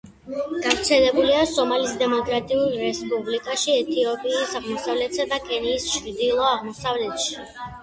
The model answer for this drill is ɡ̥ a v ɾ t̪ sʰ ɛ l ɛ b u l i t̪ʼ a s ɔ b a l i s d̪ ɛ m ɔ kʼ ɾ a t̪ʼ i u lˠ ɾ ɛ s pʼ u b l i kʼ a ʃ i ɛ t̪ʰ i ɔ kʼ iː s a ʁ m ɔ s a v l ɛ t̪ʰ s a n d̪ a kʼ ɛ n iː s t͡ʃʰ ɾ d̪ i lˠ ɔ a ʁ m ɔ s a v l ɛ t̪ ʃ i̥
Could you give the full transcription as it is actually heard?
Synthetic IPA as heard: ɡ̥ a v ɾ t̪ sʰ ɛ l ɛ b u l i a s ɔ m a l i s d̪ ɛ m ɔ kʼ ɾ a t̪ʼ i u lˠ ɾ ɛ s pʼ u b l i kʼ a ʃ i ɛ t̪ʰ i ɔ pʼ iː s a ʁ m ɔ s a v l ɛ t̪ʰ s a d̪ a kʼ ɛ n iː s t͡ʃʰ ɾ d̪ i lˠ ɔ a ʁ m ɔ s a v l ɛ t̪ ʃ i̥